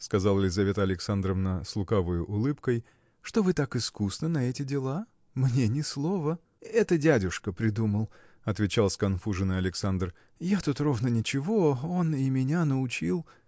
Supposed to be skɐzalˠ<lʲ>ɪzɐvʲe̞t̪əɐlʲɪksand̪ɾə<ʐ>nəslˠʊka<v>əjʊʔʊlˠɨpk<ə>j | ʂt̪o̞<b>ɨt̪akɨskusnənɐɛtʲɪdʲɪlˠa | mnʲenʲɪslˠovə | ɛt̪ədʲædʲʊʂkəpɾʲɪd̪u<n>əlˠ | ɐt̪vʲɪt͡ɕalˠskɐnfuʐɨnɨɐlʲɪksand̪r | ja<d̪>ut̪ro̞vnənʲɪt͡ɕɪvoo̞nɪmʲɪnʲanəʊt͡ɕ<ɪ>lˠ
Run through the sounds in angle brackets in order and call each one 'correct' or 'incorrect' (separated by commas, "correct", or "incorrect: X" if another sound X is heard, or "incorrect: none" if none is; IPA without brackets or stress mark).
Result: correct, incorrect: v, correct, correct, incorrect: v, incorrect: m, incorrect: t̪, incorrect: i